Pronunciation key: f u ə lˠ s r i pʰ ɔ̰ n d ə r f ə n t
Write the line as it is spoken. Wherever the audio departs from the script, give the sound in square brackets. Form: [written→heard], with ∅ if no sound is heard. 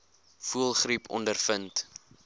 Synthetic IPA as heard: f u ə lˠ [s→χ] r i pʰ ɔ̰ n d ə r f ə n t